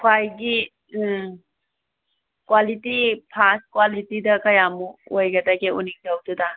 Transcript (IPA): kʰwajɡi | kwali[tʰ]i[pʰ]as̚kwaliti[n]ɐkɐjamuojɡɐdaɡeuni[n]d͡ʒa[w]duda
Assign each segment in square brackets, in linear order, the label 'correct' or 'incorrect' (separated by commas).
incorrect, correct, incorrect, incorrect, correct